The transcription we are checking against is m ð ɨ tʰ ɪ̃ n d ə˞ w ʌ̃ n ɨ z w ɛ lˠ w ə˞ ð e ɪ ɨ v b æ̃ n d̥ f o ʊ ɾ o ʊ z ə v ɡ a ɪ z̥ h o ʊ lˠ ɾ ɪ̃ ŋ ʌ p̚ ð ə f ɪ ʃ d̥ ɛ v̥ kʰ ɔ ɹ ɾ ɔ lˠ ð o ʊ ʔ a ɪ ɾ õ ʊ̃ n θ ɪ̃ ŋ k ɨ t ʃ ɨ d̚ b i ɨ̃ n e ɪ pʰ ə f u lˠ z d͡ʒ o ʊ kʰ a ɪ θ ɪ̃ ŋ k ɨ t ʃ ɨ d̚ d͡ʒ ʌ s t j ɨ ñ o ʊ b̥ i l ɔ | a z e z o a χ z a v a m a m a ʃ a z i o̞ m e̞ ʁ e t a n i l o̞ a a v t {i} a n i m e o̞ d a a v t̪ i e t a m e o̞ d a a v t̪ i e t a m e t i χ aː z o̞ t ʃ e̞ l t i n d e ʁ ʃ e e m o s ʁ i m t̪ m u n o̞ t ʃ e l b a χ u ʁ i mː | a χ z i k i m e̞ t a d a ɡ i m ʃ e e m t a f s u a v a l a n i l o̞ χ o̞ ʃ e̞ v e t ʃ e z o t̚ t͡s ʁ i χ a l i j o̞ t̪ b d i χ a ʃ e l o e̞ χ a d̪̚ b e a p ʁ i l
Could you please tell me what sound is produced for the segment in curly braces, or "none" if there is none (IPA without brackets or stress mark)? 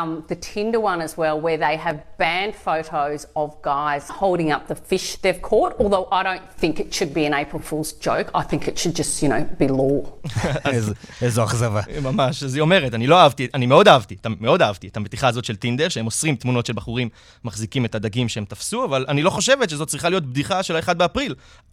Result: i